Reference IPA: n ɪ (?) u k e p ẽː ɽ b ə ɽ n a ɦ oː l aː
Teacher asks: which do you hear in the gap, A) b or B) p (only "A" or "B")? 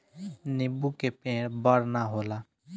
A